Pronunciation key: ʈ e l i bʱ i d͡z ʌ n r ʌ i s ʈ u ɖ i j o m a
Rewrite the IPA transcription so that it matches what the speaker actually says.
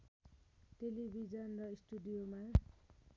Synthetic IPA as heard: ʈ e l i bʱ i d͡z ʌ n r ʌ i s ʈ u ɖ i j o m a